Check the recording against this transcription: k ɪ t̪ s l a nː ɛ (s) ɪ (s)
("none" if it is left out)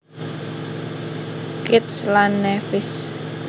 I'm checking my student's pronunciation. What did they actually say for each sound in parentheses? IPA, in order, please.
f, s

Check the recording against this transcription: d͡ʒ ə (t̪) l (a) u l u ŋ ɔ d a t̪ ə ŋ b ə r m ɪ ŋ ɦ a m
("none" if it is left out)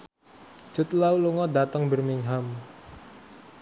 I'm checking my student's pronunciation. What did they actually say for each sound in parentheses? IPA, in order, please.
t̪, a

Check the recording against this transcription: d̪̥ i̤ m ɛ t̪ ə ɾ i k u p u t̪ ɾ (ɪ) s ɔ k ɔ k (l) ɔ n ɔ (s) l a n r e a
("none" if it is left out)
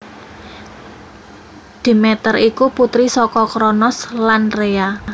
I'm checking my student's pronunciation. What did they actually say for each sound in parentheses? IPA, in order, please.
i, ɾ, s

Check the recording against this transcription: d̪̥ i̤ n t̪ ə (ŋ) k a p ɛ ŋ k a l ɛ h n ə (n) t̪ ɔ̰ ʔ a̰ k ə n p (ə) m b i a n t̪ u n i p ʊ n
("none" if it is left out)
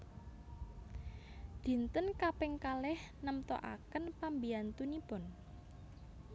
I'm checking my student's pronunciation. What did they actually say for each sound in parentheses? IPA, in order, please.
n, m, a

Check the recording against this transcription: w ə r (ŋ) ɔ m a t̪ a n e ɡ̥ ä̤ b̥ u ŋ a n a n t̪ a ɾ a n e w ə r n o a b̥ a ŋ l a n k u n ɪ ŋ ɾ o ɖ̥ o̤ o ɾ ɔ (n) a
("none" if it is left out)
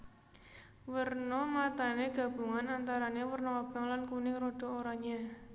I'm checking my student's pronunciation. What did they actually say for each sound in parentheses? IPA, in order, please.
n, ɲ

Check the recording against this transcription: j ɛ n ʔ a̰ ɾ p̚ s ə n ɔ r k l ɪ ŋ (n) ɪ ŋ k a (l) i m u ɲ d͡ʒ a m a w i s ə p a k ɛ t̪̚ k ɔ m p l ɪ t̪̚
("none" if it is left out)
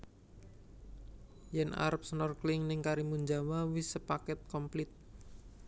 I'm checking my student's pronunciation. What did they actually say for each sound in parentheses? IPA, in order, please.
n, ɾ

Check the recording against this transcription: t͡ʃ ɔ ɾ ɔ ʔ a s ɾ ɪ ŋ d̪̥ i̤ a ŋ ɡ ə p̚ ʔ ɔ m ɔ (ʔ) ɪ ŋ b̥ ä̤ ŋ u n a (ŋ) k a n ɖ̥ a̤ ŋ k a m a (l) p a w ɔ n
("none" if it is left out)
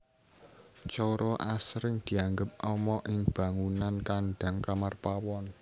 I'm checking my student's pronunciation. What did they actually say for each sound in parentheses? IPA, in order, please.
ʔ, n, r

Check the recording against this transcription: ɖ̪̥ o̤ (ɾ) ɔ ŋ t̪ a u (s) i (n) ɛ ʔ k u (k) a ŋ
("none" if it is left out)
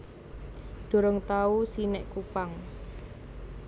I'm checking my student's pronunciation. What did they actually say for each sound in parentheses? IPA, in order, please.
ɾ, s, n, p

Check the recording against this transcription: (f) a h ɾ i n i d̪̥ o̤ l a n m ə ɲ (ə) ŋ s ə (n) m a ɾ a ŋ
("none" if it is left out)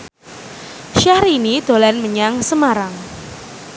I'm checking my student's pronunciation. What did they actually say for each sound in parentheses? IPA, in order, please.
ʃ, a, none

